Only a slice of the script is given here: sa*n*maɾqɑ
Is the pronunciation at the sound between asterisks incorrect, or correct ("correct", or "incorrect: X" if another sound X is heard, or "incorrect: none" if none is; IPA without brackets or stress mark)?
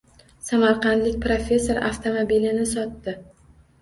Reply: incorrect: none